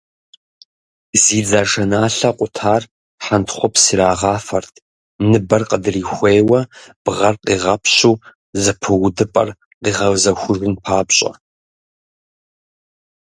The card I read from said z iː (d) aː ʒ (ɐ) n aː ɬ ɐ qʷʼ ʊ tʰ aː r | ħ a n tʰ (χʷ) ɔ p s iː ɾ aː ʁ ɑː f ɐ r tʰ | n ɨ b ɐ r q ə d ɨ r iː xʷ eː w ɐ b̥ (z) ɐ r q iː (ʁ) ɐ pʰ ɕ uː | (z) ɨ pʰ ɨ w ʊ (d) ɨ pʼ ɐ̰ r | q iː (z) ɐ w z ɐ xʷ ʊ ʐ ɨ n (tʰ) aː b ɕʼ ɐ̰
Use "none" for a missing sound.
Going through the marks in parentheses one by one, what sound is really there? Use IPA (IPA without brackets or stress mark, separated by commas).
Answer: d͡z, ɐ, χʷ, ʁ, ʁ, z, d, ʁ, pʰ